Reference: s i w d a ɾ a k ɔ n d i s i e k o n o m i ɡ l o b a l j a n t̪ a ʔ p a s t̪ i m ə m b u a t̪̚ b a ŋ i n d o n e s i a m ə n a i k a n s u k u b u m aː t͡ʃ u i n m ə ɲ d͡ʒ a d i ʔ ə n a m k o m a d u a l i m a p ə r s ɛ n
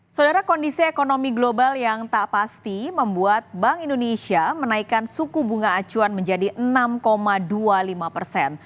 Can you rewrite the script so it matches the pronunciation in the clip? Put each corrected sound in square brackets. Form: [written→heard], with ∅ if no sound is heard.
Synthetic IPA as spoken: s [i→a] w d a ɾ a k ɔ n d i s i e k o n o m i ɡ l o b a l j a [n→ŋ] t̪ a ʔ p a s t̪ i m ə m b u a t̪̚ b a ŋ i n d o n e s i a m ə n a i k a n s u k u b u [m→ŋ] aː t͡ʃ u [i→a] n m ə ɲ d͡ʒ a d i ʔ ə n a m k o m a d u a l i m a p ə r s ɛ n